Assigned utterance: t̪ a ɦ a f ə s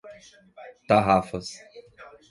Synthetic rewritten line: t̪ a ɦ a f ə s